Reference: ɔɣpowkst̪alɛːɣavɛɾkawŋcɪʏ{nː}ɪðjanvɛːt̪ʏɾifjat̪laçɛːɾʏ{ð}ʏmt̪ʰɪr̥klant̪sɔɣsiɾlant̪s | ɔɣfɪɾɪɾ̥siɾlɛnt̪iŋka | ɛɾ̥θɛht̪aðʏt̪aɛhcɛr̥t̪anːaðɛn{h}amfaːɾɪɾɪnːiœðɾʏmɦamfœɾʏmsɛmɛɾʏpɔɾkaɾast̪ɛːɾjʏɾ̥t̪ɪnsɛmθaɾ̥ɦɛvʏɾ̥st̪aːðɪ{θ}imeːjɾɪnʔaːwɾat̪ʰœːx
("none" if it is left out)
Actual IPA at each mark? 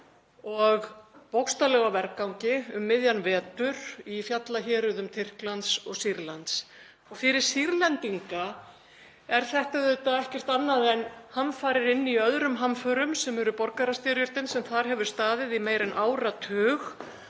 mː, ð, h, ð

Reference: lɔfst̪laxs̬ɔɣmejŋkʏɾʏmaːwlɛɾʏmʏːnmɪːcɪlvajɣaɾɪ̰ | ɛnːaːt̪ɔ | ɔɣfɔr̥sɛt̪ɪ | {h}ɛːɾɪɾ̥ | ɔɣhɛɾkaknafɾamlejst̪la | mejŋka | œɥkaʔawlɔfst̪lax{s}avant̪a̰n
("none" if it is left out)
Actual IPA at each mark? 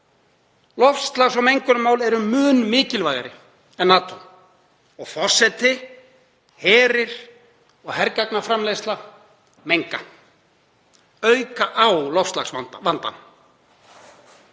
h, s

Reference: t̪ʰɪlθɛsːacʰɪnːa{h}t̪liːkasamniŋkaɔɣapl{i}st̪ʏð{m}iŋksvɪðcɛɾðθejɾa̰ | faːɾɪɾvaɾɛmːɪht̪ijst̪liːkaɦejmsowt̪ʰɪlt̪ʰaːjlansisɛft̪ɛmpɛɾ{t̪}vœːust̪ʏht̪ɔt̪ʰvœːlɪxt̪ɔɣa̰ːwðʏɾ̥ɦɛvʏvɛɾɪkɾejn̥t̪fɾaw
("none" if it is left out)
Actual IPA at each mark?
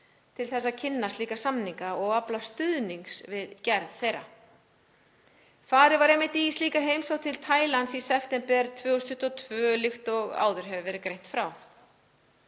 s, a, n, t̪ʰ

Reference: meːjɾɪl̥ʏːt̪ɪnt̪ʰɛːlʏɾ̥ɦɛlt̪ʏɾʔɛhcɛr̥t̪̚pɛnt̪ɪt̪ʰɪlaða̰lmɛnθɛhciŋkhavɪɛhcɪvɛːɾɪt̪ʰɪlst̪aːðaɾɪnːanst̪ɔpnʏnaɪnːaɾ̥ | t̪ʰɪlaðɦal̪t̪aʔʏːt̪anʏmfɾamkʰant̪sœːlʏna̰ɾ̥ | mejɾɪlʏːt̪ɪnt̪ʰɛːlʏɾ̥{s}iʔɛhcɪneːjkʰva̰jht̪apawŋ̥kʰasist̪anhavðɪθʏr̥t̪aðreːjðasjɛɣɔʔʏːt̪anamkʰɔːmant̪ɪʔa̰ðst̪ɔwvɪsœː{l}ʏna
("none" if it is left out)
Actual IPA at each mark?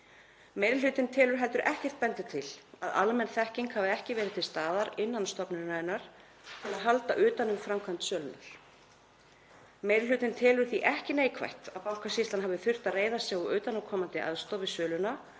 θ, l

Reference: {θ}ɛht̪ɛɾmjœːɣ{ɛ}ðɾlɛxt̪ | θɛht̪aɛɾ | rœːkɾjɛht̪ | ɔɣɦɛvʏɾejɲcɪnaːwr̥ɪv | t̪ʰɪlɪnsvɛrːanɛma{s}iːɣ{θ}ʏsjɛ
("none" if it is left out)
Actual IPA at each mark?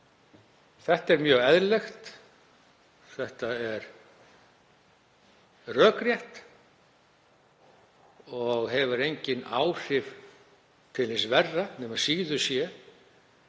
θ, ɛ, s, ð

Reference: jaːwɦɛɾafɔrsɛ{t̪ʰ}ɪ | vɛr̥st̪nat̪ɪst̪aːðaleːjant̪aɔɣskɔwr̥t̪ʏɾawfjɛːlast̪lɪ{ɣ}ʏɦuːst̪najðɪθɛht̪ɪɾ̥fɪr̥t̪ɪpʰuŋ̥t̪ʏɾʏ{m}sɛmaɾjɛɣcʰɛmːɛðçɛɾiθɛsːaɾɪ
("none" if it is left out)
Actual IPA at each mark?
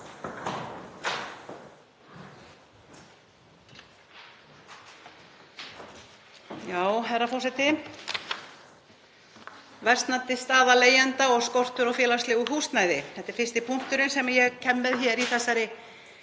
t̪, ɣ, n

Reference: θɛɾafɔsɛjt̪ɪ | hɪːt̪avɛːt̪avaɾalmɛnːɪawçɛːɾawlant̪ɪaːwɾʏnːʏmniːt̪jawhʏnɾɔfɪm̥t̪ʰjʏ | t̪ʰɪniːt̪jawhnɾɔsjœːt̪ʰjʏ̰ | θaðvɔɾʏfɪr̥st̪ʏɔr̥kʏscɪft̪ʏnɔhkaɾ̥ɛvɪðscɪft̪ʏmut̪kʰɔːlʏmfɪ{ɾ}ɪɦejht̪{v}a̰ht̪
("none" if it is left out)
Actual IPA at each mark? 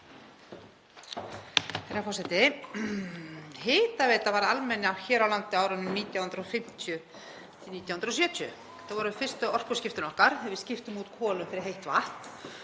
ɾ, v

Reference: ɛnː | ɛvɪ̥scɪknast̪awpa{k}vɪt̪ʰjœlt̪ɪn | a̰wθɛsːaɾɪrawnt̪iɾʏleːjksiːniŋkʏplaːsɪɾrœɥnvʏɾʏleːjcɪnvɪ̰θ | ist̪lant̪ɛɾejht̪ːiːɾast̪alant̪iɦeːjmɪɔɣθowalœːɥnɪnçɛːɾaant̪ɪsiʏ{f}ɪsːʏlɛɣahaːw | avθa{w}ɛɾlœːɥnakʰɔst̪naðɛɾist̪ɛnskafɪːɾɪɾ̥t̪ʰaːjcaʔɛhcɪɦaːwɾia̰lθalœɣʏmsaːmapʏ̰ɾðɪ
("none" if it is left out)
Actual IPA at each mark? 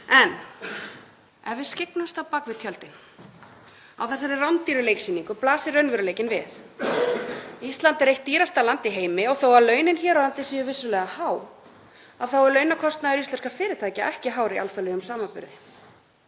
k, v, w

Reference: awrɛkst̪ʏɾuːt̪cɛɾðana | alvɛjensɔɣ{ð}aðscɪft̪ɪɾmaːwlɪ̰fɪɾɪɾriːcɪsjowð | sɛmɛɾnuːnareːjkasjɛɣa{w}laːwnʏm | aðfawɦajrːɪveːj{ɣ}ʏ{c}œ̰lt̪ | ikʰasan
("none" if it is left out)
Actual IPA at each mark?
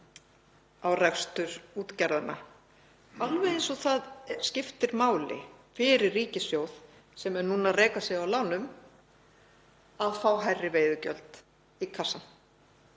θ, w, ð, c

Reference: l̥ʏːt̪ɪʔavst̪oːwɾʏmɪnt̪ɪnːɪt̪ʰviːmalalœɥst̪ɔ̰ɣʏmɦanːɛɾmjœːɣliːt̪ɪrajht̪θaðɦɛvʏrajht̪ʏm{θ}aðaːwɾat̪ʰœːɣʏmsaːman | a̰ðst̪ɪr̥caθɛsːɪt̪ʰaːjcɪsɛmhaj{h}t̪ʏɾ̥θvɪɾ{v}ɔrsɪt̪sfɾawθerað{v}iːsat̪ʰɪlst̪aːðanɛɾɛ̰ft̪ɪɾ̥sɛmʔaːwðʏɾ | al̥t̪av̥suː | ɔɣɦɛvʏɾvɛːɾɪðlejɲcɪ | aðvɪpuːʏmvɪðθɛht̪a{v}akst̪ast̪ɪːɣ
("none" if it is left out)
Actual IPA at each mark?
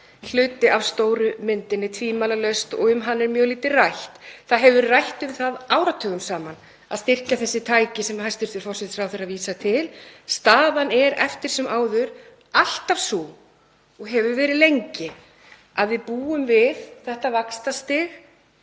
θ, s, f, v, v

